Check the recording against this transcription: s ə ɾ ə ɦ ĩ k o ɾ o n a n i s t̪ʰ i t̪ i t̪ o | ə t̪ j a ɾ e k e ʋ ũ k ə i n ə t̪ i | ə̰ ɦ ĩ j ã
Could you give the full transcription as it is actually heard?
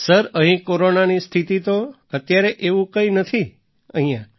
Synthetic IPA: s ə ɾ ə ɦ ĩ k o ɾ o n a n i s t̪ʰ i t̪ i t̪ o | ə t̪ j a ɾ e ʔ e ʋ ũ k ə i n ə t̪ʰ i | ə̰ ɦ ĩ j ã